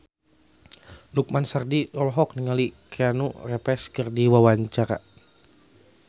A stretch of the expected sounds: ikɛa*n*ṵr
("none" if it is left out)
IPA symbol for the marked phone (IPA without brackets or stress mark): n